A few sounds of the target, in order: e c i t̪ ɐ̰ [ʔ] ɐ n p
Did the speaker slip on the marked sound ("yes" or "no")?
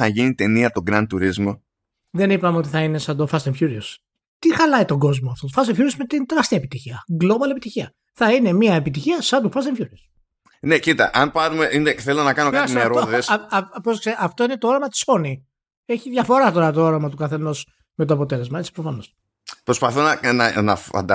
no